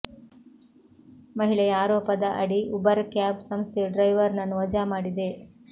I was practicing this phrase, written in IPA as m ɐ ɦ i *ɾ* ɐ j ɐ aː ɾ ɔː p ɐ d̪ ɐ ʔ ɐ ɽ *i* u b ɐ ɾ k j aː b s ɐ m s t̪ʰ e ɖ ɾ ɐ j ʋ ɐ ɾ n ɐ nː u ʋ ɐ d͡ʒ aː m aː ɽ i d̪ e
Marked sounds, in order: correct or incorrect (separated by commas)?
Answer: incorrect, correct